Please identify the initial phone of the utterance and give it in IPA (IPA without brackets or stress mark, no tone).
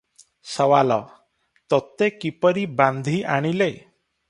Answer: s